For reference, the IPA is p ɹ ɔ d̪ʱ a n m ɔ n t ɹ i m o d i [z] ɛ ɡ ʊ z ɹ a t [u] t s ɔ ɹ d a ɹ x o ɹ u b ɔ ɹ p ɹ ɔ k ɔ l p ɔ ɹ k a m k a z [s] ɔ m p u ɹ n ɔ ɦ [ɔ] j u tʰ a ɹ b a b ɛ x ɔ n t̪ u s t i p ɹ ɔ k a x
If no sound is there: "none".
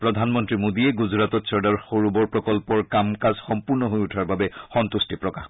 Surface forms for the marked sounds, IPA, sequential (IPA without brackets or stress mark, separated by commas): none, ɔ, x, o